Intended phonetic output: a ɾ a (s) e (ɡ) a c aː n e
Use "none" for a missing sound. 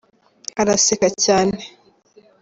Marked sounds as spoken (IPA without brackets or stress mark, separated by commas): s, k